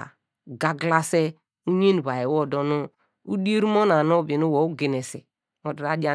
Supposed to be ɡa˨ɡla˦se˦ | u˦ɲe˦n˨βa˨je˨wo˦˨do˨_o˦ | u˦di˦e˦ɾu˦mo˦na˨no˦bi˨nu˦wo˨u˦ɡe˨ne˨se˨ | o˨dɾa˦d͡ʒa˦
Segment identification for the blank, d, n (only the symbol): n